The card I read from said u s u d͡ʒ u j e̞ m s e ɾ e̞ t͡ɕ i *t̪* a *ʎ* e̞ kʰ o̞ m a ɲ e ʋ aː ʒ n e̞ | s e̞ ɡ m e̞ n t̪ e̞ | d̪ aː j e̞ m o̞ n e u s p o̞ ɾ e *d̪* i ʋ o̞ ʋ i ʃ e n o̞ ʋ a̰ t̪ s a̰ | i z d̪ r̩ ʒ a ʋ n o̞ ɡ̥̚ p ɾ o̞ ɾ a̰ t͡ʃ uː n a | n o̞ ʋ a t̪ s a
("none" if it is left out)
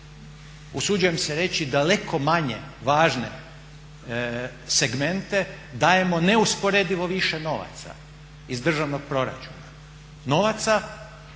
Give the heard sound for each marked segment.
d̪, l, d̪

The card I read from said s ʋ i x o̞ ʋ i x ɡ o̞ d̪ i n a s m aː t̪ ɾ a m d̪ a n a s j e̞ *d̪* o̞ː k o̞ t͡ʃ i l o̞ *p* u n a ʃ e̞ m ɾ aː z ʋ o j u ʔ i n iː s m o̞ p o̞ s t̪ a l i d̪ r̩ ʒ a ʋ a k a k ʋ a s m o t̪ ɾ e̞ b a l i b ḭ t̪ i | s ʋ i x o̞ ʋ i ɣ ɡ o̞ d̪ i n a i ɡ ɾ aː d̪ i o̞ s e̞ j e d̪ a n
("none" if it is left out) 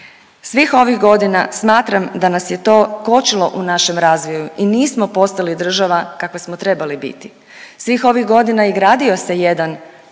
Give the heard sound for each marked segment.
t̪, ʔ

